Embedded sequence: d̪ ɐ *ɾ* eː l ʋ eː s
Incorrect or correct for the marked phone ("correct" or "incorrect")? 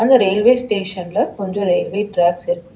correct